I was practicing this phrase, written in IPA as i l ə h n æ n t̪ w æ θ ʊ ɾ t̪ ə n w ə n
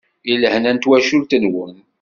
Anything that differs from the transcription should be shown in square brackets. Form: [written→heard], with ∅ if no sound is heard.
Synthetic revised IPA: i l ə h n æ n t̪ w æ [θ→ʃ] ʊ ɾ t̪ ə n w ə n